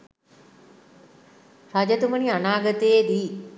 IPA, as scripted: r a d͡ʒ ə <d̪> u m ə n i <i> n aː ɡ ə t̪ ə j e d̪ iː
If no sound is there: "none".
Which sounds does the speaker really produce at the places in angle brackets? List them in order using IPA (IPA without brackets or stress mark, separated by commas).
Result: t̪, a